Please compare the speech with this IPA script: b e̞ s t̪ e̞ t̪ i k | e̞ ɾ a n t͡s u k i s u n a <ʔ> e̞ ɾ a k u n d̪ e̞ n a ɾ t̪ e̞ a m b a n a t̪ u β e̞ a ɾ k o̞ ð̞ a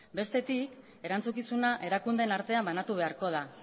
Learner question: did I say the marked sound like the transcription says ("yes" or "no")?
yes